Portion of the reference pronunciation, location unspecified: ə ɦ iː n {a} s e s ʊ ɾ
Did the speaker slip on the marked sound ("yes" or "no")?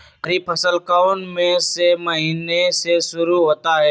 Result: yes